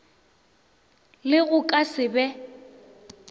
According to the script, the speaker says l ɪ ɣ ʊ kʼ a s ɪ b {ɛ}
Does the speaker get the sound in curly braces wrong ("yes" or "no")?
no